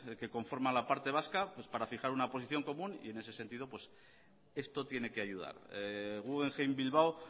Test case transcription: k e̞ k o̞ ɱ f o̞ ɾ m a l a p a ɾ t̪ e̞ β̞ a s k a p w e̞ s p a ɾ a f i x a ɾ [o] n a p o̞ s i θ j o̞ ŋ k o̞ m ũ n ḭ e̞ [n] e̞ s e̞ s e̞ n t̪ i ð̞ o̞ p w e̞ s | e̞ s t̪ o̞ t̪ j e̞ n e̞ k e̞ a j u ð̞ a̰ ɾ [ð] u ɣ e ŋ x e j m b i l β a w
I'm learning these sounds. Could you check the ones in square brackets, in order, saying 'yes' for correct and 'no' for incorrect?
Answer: no, yes, no

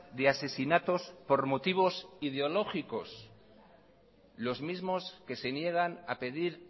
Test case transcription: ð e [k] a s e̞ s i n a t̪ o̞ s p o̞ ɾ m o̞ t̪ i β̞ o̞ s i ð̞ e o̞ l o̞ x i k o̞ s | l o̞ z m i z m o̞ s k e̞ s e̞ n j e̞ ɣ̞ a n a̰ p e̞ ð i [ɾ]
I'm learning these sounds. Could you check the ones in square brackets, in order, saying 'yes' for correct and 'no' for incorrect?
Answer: no, yes

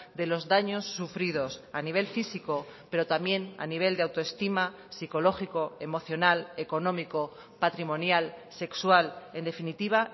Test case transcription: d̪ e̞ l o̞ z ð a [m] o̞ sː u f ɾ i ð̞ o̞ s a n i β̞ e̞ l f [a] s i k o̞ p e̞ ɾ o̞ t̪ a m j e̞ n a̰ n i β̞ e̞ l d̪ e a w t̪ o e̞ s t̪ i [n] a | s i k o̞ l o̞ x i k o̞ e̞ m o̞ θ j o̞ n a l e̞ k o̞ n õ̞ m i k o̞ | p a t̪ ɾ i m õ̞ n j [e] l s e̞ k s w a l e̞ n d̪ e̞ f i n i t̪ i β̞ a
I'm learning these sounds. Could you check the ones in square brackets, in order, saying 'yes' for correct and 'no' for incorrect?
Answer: no, no, no, no

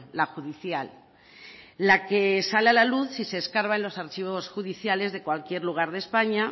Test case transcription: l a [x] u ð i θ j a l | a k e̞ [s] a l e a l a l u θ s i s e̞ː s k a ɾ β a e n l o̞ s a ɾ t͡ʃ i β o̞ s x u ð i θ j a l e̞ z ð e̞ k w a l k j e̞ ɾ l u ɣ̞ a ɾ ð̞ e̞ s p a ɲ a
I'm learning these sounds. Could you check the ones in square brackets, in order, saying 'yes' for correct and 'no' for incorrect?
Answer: yes, yes

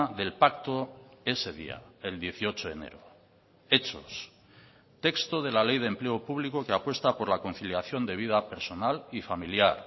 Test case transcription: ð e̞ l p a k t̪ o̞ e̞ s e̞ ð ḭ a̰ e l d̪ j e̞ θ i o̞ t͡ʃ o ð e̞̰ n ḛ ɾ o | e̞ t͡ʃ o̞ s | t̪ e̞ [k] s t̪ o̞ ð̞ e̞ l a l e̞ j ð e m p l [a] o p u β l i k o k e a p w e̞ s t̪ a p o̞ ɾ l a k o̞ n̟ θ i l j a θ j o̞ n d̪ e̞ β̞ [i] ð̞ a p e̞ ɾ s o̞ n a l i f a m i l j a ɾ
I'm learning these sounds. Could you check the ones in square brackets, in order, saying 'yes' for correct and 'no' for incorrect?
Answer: yes, no, yes

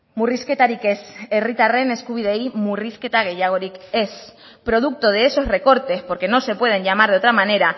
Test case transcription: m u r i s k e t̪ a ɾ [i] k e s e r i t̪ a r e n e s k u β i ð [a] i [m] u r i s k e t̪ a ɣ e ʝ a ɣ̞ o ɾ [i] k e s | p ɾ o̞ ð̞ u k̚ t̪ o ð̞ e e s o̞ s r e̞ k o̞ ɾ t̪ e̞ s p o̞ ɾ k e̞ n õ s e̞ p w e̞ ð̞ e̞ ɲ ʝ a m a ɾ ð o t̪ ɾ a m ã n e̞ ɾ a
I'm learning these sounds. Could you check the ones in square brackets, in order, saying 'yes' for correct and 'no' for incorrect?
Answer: yes, no, yes, yes

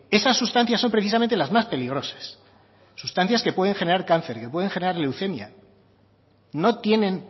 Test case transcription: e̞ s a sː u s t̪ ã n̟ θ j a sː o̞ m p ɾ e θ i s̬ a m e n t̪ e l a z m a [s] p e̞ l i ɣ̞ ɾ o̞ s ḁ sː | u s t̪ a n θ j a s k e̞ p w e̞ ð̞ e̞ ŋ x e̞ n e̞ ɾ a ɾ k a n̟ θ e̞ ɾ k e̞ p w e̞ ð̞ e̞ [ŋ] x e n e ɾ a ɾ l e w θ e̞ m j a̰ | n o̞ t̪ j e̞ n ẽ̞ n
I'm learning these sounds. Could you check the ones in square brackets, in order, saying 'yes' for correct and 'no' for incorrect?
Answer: yes, yes

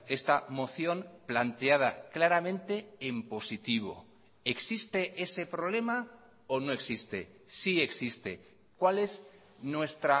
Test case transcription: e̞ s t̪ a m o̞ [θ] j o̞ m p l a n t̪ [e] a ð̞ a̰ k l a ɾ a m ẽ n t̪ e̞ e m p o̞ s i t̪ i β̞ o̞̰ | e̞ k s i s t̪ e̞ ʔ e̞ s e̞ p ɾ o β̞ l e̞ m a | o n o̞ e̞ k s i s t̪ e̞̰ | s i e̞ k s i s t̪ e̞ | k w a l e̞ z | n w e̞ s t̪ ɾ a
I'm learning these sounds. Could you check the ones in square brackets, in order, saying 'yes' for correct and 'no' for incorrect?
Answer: yes, yes

